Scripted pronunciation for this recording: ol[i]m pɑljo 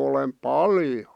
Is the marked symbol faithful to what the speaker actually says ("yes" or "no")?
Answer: no